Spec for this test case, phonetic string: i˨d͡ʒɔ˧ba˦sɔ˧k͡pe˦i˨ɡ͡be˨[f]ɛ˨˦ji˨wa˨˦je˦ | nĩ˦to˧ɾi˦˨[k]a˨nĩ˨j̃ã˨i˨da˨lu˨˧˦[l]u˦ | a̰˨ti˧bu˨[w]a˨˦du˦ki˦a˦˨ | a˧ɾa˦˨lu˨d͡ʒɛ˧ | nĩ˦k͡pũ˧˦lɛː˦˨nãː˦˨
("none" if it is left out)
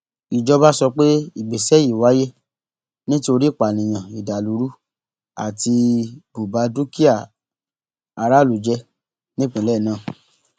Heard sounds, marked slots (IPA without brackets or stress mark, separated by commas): s, k͡p, ɾ, b